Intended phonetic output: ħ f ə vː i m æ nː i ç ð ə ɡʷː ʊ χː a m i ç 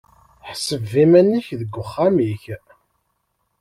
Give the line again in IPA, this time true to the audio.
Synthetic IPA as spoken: ħ s ə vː i m æ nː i ç ð ə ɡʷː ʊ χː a m i ç